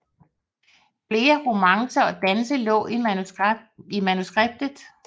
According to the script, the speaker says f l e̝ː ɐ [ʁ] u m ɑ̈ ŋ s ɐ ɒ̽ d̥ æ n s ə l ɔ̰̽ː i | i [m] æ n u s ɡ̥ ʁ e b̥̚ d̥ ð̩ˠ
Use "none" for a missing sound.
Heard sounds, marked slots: ʁ, m

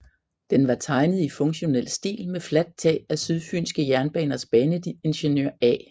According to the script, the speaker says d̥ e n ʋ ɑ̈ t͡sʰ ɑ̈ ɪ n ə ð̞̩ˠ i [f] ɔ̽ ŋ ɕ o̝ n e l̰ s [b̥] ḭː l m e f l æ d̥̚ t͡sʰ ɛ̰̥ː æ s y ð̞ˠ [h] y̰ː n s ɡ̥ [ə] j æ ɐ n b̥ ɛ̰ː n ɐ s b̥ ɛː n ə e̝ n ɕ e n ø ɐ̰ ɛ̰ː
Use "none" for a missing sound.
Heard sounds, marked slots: f, d̥, f, ə

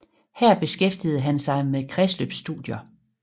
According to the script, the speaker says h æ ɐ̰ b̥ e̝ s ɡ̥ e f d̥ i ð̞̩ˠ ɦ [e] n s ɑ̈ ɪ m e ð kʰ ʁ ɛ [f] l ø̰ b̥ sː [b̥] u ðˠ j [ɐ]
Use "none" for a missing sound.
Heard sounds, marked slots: æ, s, d̥, ɐ

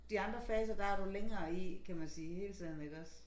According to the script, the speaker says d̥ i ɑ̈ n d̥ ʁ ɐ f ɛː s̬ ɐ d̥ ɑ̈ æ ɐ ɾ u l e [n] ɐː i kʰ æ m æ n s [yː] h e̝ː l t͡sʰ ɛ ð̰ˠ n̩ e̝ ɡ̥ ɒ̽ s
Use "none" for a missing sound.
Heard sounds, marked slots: ŋ, iː

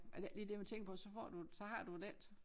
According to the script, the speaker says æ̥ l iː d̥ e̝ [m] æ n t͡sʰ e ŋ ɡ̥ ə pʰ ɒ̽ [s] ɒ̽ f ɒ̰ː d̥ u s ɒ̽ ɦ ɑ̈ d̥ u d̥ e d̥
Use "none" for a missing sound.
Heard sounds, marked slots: m, s

